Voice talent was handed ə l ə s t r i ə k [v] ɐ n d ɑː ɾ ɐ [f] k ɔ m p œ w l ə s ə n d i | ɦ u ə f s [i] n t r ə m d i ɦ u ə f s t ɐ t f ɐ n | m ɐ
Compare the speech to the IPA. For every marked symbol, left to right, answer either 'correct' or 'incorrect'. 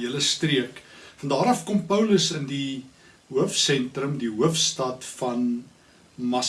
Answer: incorrect: f, correct, incorrect: ɛ

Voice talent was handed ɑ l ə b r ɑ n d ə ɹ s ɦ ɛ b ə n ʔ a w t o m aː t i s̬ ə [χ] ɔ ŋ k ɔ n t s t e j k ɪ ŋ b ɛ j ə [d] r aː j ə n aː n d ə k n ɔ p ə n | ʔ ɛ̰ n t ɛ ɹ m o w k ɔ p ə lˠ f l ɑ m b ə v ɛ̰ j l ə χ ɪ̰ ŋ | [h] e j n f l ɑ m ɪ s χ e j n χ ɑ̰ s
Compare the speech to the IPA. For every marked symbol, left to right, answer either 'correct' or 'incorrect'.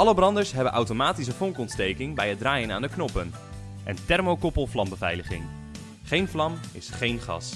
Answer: incorrect: f, correct, incorrect: χ

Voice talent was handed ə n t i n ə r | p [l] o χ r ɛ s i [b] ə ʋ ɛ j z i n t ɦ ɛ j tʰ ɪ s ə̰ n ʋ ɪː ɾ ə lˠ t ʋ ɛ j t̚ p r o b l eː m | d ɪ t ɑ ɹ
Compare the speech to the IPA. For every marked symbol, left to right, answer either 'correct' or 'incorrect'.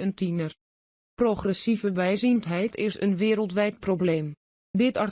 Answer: incorrect: r, incorrect: v

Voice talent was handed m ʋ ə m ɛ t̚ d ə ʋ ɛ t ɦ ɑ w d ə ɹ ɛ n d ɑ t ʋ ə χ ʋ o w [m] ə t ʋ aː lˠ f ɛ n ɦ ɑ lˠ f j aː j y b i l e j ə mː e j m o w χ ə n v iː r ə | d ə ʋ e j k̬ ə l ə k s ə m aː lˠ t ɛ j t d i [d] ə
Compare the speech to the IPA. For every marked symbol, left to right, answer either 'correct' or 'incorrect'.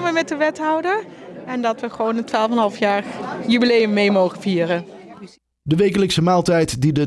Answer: incorrect: n, correct

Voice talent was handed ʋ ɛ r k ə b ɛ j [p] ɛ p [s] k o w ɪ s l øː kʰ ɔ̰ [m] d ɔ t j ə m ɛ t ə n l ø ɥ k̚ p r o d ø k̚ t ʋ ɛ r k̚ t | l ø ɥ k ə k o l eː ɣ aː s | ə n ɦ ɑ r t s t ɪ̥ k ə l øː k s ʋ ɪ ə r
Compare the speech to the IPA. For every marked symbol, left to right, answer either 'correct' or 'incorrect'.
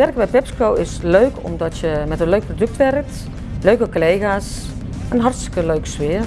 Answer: correct, correct, correct

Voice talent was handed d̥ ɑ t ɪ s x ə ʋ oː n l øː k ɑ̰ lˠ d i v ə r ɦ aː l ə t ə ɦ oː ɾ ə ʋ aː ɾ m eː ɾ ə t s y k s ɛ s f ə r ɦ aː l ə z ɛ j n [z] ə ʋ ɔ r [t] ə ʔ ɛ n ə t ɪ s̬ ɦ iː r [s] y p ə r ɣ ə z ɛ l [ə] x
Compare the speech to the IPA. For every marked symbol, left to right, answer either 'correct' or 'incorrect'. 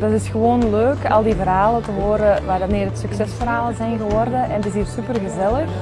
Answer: incorrect: ɣ, incorrect: d, correct, correct

